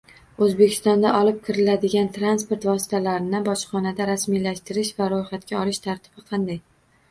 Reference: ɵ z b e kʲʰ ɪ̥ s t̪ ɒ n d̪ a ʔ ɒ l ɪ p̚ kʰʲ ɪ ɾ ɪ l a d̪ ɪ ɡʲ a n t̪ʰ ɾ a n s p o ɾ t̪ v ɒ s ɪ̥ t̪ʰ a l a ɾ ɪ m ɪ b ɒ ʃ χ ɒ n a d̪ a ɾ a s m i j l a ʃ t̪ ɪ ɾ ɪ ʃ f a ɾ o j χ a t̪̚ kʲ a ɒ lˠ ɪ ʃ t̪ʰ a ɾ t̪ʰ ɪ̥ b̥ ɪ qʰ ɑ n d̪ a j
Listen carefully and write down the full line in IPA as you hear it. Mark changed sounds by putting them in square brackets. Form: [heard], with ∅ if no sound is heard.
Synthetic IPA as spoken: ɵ z b e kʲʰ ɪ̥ s t̪ ɒ n d̪ a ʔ ɒ l ɪ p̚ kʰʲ ɪ ɾ ɪ l a d̪ ɪ ɡʲ a n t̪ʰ ɾ a n s p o ɾ t̪ v ɒ s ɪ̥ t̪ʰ a l a ɾ ɪ [n] ɪ b ɒ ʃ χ ɒ n a d̪ a ɾ a s m i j l a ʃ t̪ ɪ ɾ ɪ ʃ [v] a ɾ o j χ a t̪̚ kʲ a ɒ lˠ ɪ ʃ t̪ʰ a ɾ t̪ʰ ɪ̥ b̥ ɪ qʰ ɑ n d̪ a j